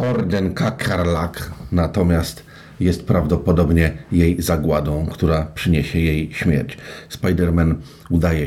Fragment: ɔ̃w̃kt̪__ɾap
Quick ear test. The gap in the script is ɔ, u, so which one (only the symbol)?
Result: u